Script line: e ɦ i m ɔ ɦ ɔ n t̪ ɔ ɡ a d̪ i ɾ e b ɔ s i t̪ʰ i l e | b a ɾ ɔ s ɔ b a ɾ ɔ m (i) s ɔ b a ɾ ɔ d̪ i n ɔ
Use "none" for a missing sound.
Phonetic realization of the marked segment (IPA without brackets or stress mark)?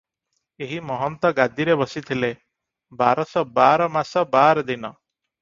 a